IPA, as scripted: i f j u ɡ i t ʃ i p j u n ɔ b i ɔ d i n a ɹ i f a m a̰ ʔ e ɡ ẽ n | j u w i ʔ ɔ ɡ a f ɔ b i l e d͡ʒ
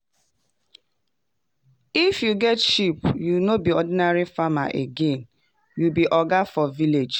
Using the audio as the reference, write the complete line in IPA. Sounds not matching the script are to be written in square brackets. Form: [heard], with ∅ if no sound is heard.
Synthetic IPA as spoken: i f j u ɡ [ɛ] t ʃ i p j u n [o] b i ɔ d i n a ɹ i f a m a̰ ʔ e ɡ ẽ n | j u [b] i ʔ ɔ ɡ a f ɔ [v] i l e d͡ʒ